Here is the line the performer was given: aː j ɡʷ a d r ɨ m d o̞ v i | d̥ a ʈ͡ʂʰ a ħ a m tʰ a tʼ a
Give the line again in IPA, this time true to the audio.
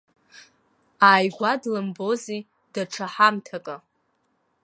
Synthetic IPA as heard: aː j ɡʷ a d l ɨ m b o̞ z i | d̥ a ʈ͡ʂʰ a ħ a m tʰ a kʼ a